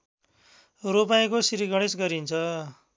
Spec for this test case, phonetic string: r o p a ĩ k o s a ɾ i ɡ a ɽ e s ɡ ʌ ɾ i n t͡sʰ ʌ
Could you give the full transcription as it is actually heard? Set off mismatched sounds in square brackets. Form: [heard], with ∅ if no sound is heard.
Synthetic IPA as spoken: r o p a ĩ k o s [i] ɾ i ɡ [ʌ] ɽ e s ɡ ʌ ɾ i n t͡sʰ ʌ